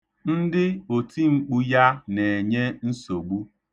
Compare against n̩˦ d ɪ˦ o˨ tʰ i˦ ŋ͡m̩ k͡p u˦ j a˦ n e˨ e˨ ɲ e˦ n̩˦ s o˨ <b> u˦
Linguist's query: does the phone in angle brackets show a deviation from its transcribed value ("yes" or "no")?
yes